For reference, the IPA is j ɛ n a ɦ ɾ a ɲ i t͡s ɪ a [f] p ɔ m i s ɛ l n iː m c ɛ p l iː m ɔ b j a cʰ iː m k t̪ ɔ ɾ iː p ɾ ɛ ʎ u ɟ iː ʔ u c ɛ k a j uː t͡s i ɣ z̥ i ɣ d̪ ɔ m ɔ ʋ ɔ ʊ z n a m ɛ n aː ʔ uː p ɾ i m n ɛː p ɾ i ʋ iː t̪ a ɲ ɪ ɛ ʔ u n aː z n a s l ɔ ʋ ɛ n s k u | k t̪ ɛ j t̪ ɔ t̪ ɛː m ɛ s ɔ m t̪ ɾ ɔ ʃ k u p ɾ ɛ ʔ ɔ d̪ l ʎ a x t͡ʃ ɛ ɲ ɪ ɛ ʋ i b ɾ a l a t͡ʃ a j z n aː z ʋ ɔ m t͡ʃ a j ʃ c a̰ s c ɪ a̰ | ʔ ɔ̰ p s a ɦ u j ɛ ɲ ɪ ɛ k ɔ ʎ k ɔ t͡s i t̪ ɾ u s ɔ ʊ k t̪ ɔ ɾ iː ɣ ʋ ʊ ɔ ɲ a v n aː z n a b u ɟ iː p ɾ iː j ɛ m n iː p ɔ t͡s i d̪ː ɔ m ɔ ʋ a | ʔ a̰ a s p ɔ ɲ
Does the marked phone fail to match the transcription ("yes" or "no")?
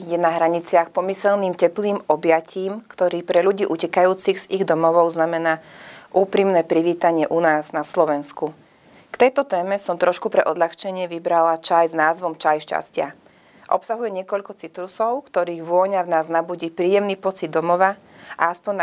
yes